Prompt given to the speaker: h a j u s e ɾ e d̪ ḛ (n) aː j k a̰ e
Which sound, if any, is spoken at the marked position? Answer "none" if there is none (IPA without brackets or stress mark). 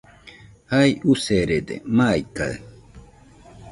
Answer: m